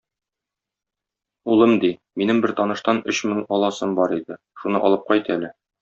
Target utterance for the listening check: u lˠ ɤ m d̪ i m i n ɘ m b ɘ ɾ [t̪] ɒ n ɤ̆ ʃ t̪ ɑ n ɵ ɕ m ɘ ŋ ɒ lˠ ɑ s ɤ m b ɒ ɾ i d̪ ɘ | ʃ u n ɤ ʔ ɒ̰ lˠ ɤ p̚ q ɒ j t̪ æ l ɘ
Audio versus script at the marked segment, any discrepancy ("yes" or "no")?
no